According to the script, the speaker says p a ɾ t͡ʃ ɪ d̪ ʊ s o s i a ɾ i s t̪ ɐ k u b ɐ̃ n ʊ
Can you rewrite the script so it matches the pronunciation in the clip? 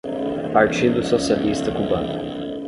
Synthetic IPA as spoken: p a ɾ t͡ʃ i d̪ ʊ s o s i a l i s t̪ ɐ k u b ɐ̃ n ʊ

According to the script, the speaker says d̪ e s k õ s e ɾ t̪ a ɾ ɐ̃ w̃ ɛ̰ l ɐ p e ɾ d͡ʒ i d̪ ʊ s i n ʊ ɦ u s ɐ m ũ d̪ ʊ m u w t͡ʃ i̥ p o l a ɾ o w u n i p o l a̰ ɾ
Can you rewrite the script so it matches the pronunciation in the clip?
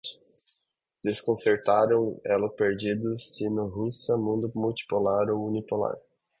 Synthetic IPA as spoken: d̪ e s k õ s e ɾ t̪ a ɾ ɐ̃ w̃ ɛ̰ l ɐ p e ɾ d͡ʒ i d̪ ʊ s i n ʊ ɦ u s ɐ m ũ d̪ ʊ m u w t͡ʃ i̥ p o l a ɾ o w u n i p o l a̰ ɾ

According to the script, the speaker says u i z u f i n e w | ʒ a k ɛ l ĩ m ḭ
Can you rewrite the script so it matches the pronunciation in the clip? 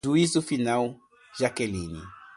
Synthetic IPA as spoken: u i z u f i n a w | ʒ a k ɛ l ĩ n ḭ

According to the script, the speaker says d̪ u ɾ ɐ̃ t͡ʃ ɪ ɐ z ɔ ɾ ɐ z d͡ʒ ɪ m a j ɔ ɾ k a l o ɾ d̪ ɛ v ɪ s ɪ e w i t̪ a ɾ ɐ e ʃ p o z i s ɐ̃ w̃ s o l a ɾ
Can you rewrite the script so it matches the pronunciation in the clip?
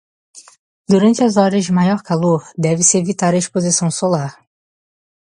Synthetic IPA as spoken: d̪ u ɾ ɐ̃ t͡ʃ ɪ ɐ z ɔ ɾ ɐ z d͡ʒ ɪ m a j ɔ ɾ k a l o ɾ d̪ ɛ v ɪ s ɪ e v i t̪ a ɾ ɐ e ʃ p o z i s ɐ̃ w̃ s o l a ɾ

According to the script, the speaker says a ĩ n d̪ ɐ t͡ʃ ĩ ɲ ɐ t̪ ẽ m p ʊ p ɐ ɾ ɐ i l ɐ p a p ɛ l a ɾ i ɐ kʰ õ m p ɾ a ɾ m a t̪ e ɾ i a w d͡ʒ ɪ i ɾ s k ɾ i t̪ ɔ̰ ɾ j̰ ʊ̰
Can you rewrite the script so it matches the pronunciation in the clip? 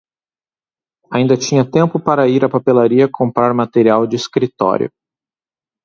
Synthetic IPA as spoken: a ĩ n d̪ ɐ t͡ʃ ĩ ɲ ɐ t̪ ẽ m p ʊ p a ɾ ɐ i ɾ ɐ p a p e l a ɾ i ɐ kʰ õ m p ɾ a ɾ m a t̪ e ɾ i a w d͡ʒ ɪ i s k ɾ i t̪ ɔ̰ ɾ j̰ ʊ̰

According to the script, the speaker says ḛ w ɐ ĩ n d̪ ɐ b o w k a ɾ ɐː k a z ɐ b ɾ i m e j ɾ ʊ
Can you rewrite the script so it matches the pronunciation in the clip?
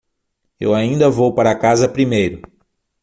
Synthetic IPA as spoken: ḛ w a ĩ n d̪ ɐ v o w p a ɾ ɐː k a z ɐ p ɾ i m e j ɾ ʊ

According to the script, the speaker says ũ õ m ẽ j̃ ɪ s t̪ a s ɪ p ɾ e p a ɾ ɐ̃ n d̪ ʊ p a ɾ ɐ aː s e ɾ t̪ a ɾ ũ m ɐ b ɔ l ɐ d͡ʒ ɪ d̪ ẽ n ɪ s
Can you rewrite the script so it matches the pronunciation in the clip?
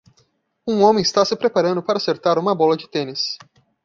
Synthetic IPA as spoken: ũ õ m ẽ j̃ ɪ s t̪ a s ɪ p ɾ e p a ɾ ɐ̃ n d̪ ʊ p a ɾ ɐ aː s e ɾ t̪ a ɾ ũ m ɐ b ɔ l ɐ d͡ʒ ɪ t̪ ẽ n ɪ s

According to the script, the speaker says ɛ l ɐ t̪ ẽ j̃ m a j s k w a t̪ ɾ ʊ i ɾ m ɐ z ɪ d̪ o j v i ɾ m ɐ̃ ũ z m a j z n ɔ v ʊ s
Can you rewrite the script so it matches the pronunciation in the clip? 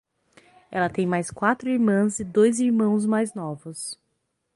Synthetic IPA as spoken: ɛ l ɐ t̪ ẽ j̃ m a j s k w a t̪ ɾ ʊ i ɾ m ɐ̃ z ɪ d̪ o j z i ɾ m ɐ̃ w̃ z m a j z n ɔ v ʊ s

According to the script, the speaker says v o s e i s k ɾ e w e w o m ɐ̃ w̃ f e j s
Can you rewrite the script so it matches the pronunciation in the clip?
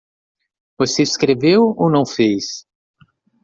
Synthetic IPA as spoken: v o s e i s k ɾ e v e w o n ɐ̃ w̃ f e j s

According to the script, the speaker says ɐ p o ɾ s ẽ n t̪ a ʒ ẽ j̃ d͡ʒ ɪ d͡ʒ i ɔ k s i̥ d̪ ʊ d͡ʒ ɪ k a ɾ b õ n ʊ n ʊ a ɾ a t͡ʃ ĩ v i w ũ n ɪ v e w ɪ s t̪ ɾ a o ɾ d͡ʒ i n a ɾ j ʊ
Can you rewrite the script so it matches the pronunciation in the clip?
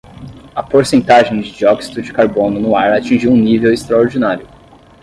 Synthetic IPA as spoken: ɐ p o ɾ s ẽ n t̪ a ʒ ẽ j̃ d͡ʒ ɪ d͡ʒ i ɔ k s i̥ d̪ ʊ d͡ʒ ɪ k a ɾ b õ n ʊ n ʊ a ɾ a t͡ʃ ĩ ʒ i w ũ n i v e w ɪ s t̪ ɾ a o ɾ d͡ʒ i n a ɾ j ʊ

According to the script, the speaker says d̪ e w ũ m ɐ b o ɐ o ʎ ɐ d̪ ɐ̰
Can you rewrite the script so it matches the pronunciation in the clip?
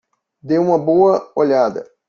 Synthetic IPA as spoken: d̪ e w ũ m ɐ b o ɐ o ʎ a d̪ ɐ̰

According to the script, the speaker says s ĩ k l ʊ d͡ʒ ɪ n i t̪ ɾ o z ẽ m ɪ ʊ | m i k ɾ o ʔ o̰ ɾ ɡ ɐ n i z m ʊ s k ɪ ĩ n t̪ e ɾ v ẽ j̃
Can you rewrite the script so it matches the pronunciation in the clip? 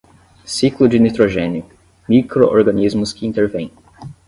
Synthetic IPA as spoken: s i k l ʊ d͡ʒ ɪ n i t̪ ɾ o ʒ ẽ n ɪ ʊ | m i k ɾ o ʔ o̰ ɾ ɡ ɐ n i z m ʊ s k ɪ ĩ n t̪ e ɾ v ẽ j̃

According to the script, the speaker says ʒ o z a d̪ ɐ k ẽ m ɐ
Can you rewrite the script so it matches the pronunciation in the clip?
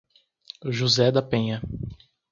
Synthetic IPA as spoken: ʒ u z ɛ d̪ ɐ p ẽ ɲ ɐ

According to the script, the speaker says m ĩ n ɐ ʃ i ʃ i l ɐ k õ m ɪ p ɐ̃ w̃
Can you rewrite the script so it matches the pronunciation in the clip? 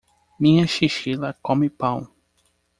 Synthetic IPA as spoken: m ĩ ɲ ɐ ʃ i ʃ i l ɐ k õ m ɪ p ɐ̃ w̃

